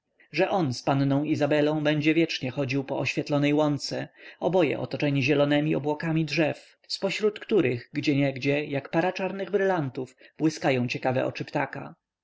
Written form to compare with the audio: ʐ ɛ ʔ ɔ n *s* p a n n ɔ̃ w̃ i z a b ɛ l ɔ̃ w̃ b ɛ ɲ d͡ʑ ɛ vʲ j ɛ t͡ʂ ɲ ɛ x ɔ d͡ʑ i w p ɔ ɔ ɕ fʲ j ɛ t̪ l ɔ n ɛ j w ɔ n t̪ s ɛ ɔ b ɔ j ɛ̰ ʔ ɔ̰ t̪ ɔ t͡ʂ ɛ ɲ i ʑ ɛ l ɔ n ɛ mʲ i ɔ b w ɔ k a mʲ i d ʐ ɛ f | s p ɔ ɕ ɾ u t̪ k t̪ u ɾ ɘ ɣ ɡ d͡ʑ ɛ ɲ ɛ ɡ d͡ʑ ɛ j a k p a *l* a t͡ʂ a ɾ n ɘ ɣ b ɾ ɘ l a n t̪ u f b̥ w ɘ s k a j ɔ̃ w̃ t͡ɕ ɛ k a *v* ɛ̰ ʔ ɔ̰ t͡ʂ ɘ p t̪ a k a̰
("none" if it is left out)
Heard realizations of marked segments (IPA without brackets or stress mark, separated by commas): s, ɾ, v